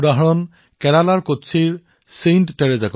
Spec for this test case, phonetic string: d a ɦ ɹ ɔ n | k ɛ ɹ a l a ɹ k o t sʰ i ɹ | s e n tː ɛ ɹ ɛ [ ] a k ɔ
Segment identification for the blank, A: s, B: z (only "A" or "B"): B